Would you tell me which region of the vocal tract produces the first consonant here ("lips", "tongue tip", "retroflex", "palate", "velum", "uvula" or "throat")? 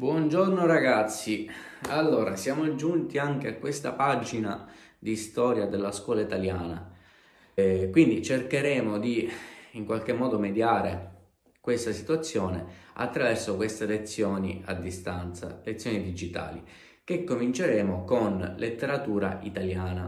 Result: lips